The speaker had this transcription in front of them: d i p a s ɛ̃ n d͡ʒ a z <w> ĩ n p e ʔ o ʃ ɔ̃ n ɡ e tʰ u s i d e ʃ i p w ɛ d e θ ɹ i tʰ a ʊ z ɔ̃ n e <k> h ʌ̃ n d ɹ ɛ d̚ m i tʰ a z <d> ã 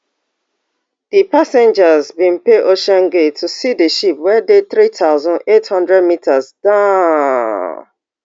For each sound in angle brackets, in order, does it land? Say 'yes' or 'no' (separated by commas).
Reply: no, no, yes